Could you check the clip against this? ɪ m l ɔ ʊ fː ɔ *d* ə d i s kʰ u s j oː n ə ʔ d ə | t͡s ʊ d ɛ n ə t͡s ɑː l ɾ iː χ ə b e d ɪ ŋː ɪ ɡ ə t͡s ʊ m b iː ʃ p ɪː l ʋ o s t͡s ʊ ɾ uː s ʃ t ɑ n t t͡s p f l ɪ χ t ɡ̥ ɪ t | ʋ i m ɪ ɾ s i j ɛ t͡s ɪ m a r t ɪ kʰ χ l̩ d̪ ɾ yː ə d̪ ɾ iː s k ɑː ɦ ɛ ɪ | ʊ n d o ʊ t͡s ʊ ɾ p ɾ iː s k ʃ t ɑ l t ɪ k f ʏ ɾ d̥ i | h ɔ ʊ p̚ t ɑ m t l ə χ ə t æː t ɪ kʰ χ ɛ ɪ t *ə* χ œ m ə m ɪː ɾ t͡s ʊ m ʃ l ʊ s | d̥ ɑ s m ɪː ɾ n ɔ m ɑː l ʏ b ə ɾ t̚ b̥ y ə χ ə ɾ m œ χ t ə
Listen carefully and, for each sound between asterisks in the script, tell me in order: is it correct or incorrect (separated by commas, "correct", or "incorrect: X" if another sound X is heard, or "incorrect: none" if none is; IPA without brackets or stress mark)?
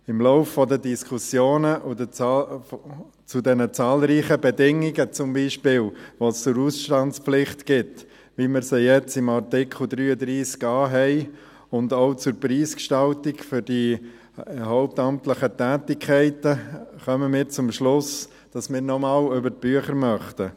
correct, correct